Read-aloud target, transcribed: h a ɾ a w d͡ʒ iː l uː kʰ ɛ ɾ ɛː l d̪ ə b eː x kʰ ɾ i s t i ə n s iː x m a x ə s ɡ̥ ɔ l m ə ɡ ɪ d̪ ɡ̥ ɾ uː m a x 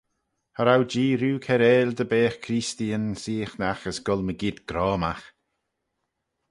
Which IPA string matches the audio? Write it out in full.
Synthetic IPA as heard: h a ɾ a w d͡ʒ iː ɾ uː kʰ ɛ ɾ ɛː l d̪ ə b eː x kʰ ɾ i s t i ə n s iː x n a x ə s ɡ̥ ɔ l m ə ɡ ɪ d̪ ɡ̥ ɾ ɔː m a x